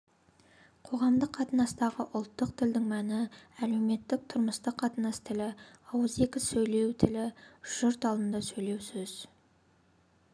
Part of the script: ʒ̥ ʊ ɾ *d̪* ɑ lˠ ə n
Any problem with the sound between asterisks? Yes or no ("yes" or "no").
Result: yes